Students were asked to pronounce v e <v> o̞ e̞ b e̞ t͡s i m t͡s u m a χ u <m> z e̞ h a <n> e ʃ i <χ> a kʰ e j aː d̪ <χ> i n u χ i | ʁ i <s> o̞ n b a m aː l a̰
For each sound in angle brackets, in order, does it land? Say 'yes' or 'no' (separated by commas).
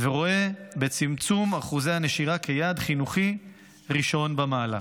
no, no, yes, no, yes, no